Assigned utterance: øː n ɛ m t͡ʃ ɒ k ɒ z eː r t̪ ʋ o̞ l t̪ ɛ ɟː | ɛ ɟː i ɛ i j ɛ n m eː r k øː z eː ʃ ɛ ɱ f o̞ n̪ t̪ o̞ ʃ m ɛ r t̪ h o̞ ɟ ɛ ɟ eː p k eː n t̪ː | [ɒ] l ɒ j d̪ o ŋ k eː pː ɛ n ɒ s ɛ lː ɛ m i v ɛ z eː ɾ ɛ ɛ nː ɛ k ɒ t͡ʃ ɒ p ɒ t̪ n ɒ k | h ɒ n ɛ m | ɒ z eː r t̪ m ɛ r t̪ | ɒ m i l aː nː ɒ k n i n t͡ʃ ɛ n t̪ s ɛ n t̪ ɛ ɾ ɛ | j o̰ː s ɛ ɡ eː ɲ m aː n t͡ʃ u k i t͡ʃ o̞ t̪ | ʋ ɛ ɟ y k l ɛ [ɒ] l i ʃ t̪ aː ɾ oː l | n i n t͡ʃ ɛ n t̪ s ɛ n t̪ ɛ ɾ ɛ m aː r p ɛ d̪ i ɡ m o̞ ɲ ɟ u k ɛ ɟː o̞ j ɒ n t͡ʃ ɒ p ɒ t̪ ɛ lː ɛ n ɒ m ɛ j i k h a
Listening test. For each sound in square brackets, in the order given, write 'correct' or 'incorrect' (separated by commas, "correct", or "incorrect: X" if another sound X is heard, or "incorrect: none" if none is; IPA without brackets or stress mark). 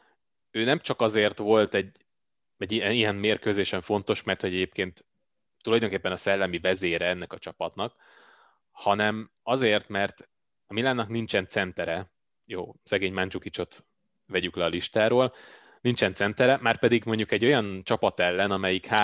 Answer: incorrect: u, correct